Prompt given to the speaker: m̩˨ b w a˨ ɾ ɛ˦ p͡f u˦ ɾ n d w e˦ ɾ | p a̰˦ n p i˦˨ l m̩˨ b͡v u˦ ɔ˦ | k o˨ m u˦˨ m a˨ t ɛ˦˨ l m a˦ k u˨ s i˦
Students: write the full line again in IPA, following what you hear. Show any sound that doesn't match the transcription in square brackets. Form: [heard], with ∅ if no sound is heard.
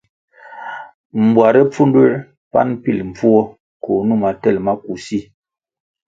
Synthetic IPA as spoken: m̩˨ b w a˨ ɾ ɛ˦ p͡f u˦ [∅] n d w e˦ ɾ | p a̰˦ n p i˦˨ l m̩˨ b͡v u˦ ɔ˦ | k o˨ [n] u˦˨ m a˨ t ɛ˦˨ l m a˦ k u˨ s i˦